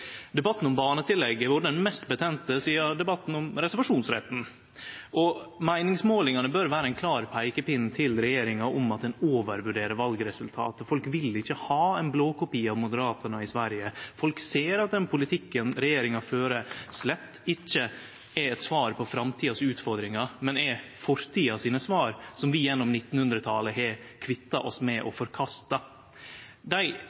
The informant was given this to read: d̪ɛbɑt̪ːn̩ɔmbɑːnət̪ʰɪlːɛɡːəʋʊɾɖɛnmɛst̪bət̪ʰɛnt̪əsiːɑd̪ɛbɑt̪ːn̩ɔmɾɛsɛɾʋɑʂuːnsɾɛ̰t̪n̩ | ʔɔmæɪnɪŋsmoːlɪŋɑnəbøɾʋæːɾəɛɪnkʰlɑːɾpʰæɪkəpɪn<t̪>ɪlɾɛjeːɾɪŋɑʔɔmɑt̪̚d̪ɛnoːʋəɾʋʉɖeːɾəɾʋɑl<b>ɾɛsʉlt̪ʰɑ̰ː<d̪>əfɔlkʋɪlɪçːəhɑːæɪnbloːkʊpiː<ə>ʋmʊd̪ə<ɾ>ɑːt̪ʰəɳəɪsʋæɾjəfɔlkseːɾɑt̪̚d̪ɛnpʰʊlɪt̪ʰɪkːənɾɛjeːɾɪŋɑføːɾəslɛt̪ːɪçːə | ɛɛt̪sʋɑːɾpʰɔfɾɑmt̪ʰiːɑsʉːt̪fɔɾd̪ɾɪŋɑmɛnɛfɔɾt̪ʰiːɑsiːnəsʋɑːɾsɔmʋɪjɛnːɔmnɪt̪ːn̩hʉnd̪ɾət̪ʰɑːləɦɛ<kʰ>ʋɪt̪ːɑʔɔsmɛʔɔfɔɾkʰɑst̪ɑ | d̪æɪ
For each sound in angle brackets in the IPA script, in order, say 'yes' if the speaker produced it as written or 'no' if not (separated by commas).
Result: no, no, no, no, yes, yes